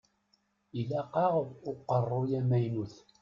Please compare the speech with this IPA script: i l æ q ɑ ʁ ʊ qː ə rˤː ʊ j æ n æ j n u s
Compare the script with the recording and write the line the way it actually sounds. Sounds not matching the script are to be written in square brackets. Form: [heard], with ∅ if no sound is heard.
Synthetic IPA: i l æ q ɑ ʁ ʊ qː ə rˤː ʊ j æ [m] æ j n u [θ]